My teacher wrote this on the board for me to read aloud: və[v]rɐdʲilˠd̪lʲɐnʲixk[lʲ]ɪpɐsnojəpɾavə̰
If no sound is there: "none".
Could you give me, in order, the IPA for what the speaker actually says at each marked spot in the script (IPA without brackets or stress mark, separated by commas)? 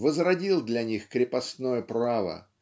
z, ɾʲ